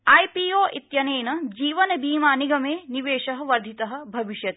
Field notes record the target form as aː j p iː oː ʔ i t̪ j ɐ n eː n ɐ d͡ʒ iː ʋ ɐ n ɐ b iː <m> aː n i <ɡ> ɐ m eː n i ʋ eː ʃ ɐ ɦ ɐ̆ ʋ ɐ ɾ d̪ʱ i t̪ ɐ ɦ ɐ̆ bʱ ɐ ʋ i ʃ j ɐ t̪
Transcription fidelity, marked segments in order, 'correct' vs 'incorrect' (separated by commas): correct, correct